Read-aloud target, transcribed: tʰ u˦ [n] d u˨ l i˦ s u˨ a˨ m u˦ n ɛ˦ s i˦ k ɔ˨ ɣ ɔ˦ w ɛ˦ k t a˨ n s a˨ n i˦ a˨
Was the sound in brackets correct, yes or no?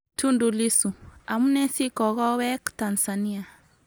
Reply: yes